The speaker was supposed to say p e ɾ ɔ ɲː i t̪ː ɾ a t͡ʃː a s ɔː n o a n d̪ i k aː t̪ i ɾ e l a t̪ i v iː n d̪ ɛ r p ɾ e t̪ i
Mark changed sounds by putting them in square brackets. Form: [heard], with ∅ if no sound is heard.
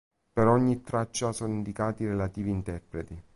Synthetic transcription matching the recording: p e ɾ ɔ ɲː i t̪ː ɾ a t͡ʃː a s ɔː n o [i] n d̪ i k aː t̪ i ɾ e l a t̪ [iː] v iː n [t̪] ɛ r p ɾ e t̪ i